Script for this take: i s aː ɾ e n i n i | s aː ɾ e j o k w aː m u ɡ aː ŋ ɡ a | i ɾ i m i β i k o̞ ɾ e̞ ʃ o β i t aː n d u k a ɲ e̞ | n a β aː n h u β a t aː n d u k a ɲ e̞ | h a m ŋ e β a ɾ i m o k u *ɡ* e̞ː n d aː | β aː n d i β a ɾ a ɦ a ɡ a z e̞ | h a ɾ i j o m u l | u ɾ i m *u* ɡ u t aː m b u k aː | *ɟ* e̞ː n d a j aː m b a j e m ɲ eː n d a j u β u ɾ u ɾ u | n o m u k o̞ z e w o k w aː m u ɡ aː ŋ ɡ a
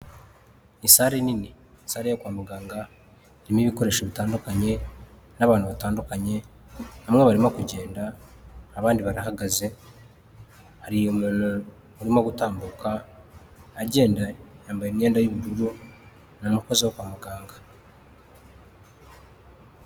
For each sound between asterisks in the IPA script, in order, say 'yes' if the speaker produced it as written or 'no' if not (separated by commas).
no, no, yes